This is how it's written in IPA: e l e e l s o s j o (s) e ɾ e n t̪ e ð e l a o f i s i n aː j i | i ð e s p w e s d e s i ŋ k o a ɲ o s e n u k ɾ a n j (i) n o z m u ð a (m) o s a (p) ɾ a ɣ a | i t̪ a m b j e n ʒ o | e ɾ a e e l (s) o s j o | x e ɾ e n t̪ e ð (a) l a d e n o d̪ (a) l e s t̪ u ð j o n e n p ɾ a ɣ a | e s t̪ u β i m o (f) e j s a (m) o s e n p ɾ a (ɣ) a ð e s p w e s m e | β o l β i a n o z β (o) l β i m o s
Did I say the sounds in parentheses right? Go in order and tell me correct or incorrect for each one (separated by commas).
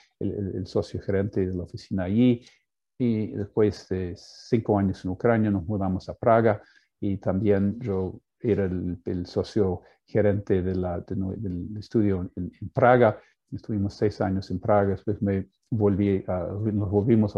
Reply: incorrect, incorrect, correct, correct, correct, incorrect, incorrect, incorrect, incorrect, correct, correct